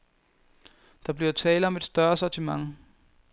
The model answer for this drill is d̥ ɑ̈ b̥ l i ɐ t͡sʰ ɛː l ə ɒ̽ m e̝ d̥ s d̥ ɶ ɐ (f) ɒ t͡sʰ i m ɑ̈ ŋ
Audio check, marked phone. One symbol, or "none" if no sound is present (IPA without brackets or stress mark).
s